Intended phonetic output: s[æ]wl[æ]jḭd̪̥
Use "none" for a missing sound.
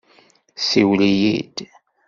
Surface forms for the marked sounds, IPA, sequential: i, i

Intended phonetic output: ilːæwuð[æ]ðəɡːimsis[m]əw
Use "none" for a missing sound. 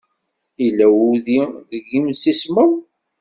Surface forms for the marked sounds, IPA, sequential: i, m

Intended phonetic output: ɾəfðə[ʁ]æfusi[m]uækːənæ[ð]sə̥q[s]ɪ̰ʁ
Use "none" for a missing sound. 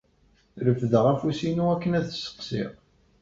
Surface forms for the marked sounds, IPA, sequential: ʁ, n, ð, s

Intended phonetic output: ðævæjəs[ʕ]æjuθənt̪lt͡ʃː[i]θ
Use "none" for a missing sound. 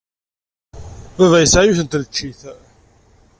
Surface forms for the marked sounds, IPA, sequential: ʕ, i

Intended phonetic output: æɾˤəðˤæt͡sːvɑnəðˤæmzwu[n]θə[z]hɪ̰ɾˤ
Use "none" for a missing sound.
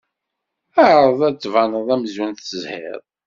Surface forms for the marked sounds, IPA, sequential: n, z

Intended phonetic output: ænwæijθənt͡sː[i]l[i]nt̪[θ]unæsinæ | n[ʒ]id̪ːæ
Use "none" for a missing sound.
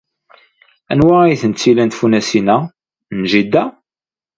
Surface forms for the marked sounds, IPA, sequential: i, æ, f, ʒ

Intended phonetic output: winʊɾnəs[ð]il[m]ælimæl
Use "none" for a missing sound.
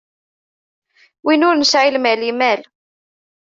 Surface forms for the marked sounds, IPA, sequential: ʕ, m

